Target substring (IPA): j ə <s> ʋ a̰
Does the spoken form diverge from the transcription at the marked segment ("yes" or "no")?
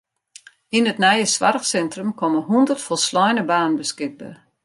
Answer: no